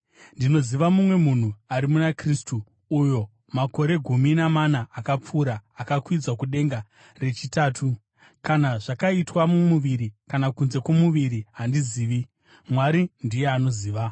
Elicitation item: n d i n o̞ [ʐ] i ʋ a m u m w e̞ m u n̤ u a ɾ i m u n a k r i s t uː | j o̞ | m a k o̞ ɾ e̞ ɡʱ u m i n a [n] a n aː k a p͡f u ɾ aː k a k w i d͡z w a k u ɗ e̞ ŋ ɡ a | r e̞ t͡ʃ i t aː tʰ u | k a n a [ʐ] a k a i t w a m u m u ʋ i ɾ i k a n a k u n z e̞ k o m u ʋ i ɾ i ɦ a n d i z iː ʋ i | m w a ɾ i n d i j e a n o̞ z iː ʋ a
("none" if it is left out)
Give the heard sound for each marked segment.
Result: z, m, ʐ

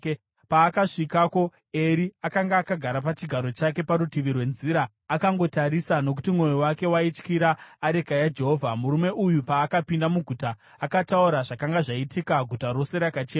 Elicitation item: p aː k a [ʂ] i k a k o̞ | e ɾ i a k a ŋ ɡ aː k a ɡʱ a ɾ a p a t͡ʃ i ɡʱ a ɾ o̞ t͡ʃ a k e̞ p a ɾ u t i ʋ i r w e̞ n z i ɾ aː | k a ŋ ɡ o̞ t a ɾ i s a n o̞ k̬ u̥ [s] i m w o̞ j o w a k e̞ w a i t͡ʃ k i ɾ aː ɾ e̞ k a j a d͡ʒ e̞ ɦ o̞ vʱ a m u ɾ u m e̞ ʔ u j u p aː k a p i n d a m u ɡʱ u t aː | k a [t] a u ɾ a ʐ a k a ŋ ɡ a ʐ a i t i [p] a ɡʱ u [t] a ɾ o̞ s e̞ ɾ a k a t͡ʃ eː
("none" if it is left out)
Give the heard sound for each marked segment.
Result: ʂ, t, t, k, t

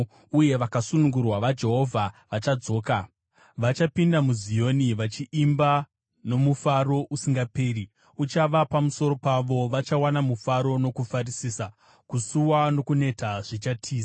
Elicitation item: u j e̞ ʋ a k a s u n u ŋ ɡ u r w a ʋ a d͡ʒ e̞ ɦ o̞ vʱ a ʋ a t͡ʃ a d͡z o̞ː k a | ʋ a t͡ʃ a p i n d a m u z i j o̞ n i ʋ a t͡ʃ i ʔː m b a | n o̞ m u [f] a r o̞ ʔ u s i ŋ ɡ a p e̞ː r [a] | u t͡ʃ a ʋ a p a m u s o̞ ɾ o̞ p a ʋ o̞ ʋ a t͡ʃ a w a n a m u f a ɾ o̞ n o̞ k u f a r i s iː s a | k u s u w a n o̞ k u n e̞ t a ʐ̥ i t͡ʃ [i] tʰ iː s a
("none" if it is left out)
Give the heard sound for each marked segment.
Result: f, i, a

